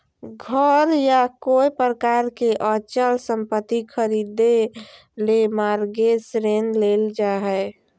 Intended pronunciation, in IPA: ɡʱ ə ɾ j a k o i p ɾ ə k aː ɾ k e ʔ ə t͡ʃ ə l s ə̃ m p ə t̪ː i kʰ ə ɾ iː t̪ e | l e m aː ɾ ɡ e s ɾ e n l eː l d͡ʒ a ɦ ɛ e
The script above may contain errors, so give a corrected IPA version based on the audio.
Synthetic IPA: ɡʱ ə ɾ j a k o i p ɾ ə k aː ɾ k e ʔ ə t͡ʃ ə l s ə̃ m p ə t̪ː i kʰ ə ɾ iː d̪ e | l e m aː ɾ ɡ e s ɾ e n l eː l d͡ʒ a ɦ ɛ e